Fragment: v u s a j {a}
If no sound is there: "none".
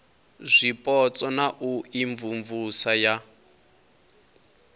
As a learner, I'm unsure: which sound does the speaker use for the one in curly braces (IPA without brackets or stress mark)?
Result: a